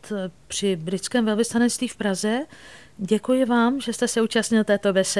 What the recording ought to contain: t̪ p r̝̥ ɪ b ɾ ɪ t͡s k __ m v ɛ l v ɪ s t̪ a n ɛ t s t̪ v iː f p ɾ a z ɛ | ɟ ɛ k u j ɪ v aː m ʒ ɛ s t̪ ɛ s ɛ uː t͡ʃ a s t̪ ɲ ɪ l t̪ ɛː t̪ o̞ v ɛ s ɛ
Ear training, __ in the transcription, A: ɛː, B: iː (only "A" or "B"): A